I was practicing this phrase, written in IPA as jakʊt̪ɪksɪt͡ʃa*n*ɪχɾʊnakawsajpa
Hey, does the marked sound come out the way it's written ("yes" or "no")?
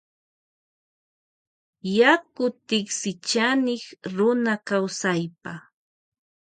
yes